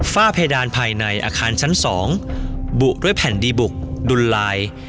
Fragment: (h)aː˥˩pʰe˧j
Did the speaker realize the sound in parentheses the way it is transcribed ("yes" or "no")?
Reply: no